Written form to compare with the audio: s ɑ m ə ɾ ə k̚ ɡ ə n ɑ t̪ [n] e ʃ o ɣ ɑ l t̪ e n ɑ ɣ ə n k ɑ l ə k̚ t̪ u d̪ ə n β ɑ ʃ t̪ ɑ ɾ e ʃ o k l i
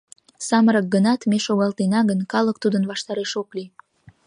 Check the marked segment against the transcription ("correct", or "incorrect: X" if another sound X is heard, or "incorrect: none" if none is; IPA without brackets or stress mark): incorrect: m